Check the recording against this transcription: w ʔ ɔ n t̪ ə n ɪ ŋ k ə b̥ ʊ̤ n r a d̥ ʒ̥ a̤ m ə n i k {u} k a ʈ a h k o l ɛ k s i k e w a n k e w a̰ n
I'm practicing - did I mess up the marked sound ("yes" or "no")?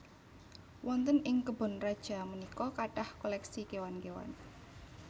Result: yes